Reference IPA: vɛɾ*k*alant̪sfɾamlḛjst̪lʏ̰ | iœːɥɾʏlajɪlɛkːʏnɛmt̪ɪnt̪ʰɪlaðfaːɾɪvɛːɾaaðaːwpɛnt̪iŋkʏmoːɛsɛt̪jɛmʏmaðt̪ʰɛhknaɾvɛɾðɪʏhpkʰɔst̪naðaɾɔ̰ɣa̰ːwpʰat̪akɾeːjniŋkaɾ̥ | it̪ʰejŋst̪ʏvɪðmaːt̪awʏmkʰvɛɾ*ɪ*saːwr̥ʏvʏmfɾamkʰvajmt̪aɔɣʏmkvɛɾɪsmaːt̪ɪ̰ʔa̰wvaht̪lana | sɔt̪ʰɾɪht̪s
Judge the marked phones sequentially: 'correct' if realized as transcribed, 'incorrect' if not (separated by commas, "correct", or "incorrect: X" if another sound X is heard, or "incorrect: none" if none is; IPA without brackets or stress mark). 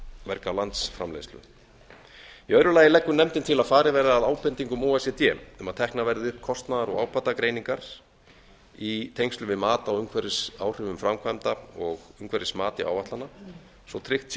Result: correct, correct